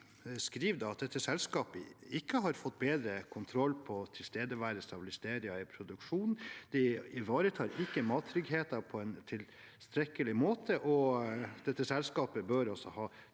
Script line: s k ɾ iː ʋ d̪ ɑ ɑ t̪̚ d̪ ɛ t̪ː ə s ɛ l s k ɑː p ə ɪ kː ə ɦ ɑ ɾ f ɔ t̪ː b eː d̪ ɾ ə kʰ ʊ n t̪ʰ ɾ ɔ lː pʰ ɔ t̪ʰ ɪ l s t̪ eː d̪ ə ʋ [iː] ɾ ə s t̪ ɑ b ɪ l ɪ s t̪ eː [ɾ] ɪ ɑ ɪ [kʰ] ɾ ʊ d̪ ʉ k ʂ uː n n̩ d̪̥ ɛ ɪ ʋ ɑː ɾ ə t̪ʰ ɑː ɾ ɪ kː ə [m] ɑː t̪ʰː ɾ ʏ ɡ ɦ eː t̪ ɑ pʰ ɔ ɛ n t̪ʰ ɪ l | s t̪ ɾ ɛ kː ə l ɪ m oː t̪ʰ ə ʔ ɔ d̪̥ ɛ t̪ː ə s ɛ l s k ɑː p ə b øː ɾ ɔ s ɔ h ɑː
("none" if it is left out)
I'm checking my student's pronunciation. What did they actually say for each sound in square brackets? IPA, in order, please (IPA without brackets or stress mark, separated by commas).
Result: æː, ɾ, pʰ, m